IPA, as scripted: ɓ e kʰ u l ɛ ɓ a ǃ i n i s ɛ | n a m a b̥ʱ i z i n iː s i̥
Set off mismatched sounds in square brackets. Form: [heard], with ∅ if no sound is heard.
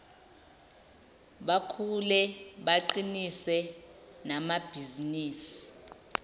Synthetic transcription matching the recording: ɓ [a] kʰ u l ɛ ɓ a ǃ i n i s ɛ | n a m a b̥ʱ i z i n iː s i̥